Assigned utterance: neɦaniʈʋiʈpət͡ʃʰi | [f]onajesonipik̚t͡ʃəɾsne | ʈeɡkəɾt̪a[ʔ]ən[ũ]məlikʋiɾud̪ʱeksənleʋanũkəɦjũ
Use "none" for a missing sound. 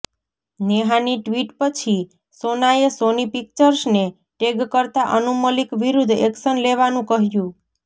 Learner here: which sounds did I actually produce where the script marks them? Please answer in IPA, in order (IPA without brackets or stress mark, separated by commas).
s, ʔ, u